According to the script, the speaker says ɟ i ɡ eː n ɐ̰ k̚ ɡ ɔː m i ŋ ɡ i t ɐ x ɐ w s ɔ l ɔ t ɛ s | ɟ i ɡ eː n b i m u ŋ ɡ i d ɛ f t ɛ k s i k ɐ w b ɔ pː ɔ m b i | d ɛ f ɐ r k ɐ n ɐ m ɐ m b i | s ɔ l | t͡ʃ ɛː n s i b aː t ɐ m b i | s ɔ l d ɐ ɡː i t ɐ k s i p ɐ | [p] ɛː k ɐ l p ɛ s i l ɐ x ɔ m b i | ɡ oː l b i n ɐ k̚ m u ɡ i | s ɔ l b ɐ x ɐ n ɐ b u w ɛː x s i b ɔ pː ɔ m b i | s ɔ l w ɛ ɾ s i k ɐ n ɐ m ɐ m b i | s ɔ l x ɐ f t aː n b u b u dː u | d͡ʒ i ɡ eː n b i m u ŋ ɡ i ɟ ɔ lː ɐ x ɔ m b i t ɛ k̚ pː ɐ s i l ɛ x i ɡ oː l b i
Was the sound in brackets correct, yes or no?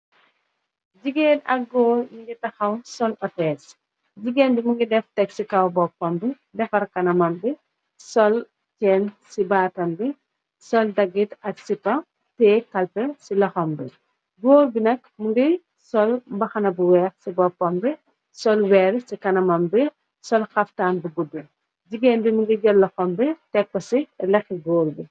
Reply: no